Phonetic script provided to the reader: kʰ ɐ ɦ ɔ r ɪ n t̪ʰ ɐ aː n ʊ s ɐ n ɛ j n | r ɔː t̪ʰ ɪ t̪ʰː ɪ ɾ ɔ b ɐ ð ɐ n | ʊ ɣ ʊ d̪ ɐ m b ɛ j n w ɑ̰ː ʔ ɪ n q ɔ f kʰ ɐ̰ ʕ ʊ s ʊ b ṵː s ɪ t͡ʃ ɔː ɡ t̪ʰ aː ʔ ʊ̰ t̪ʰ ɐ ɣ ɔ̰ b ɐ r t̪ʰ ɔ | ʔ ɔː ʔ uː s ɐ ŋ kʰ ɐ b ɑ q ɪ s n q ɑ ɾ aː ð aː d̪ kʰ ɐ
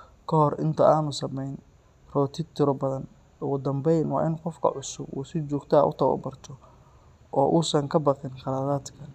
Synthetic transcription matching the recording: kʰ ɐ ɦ ɔ r ɪ n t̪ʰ ɐ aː n ʊ s ɐ m ɛ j n | r ɔː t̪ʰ ɪ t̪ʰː ɪ ɾ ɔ b ɐ ð ɐ n | ʊ ɣ ʊ d̪ ɐ m b ɛ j n w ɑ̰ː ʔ ɪ n q ɔ f kʰ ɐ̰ ʕ ʊ s ʊ b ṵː s ɪ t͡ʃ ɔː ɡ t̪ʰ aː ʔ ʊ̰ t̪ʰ ɐ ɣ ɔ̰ b ɐ r t̪ʰ ɔ | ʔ ɔː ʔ uː s ɐ ŋ kʰ ɐ b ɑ q ɪ n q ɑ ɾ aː ð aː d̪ kʰ ɐ